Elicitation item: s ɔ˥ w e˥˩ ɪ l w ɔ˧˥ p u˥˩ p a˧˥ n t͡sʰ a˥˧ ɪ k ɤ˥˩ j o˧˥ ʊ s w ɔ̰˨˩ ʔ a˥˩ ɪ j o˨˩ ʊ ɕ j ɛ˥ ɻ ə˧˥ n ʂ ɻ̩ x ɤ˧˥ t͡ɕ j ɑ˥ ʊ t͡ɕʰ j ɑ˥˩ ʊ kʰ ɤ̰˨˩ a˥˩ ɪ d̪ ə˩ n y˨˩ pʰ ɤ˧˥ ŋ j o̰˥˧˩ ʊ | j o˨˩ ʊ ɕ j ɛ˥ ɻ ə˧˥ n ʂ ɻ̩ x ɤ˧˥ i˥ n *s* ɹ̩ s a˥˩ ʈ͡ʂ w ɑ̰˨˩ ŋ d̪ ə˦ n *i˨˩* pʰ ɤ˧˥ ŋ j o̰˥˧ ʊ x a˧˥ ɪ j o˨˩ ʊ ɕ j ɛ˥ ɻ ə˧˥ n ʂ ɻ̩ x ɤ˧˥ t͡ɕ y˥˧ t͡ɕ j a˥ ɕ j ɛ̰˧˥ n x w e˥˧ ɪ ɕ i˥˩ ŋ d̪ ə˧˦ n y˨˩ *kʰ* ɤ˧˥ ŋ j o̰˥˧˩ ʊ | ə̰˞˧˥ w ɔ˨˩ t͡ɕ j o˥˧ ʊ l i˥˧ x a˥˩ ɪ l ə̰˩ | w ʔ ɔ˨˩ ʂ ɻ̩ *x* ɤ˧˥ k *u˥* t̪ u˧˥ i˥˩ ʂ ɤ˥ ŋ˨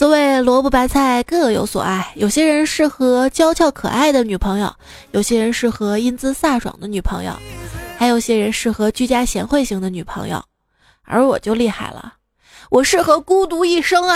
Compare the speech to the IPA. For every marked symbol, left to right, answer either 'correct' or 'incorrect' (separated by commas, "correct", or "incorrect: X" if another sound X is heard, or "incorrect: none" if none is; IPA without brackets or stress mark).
incorrect: t͡s, incorrect: y˨˩, incorrect: pʰ, correct, correct